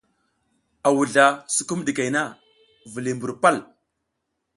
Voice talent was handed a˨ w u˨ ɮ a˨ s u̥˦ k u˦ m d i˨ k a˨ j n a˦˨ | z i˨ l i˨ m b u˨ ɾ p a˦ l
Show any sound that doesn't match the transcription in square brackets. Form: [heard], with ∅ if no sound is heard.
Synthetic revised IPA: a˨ w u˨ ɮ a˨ s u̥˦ k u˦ m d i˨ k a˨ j n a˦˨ | [v] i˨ l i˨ m b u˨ ɾ p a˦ l